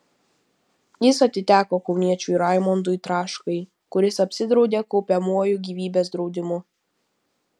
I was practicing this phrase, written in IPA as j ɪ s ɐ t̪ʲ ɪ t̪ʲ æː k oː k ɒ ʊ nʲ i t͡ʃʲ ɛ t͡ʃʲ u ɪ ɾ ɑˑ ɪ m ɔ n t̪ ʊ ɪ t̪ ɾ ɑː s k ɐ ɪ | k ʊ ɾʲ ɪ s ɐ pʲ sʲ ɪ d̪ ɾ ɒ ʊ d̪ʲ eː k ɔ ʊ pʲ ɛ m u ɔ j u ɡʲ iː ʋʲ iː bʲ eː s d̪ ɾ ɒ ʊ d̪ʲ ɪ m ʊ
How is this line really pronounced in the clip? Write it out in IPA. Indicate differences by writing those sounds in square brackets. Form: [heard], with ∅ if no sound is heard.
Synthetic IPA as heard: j ɪ s ɐ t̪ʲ ɪ t̪ʲ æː k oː k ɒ ʊ nʲ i [∅] ɛ t͡ʃʲ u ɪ ɾ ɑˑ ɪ m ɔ n [d̪] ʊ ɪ t̪ ɾ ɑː [ʃ] k ɐ ɪ | k ʊ ɾʲ ɪ s ɐ pʲ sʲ ɪ d̪ ɾ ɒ ʊ d̪ʲ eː k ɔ ʊ pʲ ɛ m u ɔ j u ɡʲ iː ʋʲ iː bʲ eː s d̪ ɾ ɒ ʊ d̪ʲ ɪ m ʊ